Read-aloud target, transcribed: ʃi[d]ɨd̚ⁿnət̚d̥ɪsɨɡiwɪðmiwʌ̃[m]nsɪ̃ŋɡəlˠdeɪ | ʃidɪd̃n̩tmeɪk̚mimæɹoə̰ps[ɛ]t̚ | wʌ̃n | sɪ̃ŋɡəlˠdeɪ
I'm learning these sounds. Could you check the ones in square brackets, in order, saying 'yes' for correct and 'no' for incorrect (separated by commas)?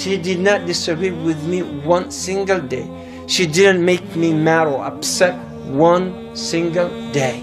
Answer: yes, no, yes